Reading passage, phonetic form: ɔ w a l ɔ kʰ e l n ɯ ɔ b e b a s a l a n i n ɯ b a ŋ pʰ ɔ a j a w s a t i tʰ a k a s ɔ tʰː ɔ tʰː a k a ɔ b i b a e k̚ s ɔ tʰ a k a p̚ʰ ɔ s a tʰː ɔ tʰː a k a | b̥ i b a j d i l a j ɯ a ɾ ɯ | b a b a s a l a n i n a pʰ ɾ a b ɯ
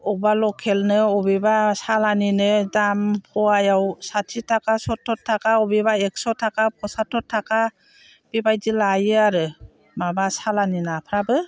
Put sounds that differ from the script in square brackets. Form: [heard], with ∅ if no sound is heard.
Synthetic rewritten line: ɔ [b] a l ɔ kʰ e l n ɯ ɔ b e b a s a l a n i n ɯ [d] a [m] pʰ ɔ a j a w s a [tʰ] i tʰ a k a s ɔ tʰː ɔ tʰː a k a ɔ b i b a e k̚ s ɔ tʰ a k a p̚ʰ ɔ s a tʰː ɔ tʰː a k a | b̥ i b a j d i l a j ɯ a ɾ ɯ | [m] a b a s a l a n i n a pʰ ɾ a b ɯ